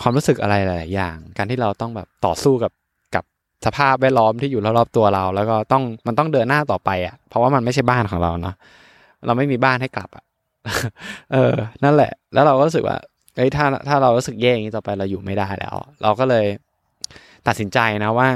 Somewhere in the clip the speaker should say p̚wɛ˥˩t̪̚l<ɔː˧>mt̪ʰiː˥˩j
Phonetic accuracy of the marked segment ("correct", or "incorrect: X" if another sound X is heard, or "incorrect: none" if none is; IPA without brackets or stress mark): incorrect: ɔː˦˥